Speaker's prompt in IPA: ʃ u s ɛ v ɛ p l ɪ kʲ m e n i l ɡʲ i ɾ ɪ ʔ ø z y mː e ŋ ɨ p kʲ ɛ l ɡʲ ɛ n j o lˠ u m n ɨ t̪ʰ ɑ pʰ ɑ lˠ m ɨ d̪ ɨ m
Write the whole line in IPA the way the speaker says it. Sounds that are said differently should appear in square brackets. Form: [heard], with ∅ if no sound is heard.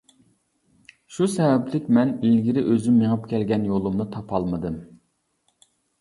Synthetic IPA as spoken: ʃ u s ɛ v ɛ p l ɪ kʲ m [ɛ] n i l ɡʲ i ɾ ɪ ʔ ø z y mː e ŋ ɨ p kʲ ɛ l ɡʲ ɛ n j o lˠ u m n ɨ t̪ʰ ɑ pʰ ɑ lˠ m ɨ d̪ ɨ m